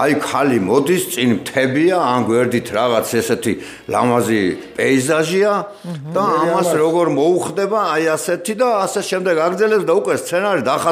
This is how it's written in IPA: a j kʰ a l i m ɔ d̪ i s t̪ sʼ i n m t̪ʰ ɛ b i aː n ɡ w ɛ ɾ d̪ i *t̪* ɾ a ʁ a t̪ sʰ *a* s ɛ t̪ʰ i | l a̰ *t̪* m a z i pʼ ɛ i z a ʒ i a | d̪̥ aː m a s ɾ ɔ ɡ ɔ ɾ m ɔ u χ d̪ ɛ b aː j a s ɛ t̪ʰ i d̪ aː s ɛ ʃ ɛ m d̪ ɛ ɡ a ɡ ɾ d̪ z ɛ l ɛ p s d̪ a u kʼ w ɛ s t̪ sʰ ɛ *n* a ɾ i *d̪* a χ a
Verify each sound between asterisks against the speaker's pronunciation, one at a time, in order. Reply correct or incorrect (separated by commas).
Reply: incorrect, incorrect, incorrect, correct, correct